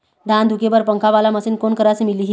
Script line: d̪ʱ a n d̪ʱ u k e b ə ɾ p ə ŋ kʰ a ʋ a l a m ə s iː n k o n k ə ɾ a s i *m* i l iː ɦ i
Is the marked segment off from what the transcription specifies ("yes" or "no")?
no